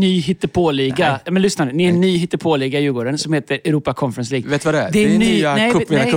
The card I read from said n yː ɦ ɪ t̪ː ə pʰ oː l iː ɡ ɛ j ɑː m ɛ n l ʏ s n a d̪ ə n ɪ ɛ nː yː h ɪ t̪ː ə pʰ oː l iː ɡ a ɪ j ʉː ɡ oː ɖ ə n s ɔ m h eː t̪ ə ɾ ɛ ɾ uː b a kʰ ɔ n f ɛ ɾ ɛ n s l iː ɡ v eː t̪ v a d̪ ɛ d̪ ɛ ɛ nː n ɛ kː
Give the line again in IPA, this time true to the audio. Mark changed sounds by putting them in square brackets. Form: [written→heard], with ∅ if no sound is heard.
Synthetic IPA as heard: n yː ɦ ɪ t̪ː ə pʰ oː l iː ɡ [ɛ→a] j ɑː m ɛ n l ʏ s n a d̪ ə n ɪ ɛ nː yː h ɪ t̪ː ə pʰ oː l iː ɡ a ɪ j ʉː ɡ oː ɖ ə n s ɔ m h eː t̪ ə ɾ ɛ ɾ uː [b→p] a kʰ ɔ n f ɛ ɾ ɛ n s l iː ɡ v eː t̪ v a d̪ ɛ d̪ ɛ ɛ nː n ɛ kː